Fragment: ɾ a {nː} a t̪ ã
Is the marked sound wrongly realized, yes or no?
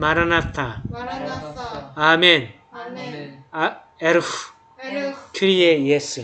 yes